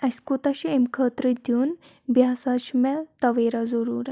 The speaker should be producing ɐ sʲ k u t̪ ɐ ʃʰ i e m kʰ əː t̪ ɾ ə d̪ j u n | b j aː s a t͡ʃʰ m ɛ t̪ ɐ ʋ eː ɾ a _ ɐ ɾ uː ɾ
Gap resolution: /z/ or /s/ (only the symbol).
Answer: z